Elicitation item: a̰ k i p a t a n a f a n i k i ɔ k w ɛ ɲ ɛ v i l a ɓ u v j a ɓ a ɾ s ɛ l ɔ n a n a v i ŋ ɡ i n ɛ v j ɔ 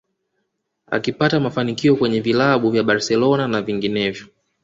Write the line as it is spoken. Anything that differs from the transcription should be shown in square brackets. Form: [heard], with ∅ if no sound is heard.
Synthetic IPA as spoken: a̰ k i p a t a [m] a f a n i k i ɔ k w ɛ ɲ ɛ v i l a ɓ u v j a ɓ a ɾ s ɛ l ɔ n a n a v i ŋ ɡ i n ɛ v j ɔ